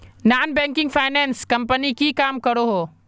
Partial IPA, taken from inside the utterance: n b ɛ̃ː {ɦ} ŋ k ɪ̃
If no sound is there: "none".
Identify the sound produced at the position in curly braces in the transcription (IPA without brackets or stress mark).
none